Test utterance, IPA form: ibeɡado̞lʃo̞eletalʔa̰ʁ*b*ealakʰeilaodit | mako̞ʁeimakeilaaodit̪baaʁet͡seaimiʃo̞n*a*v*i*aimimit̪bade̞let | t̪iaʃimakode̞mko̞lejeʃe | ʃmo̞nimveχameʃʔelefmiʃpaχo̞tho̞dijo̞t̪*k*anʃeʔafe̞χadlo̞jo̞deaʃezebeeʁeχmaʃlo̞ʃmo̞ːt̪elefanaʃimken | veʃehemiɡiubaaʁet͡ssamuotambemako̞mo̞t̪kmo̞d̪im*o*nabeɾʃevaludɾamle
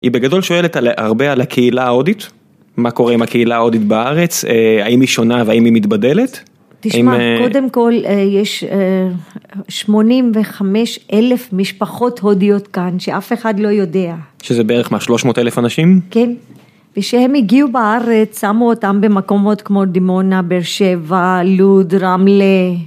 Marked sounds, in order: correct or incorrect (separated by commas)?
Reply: correct, correct, incorrect, correct, correct